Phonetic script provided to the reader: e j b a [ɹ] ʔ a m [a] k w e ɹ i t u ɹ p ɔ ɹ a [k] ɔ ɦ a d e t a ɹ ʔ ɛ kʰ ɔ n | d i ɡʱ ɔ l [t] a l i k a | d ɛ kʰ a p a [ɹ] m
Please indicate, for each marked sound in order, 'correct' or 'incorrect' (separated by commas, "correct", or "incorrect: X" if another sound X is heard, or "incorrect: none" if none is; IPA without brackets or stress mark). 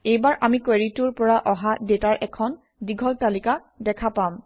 correct, incorrect: i, incorrect: ʔ, correct, incorrect: none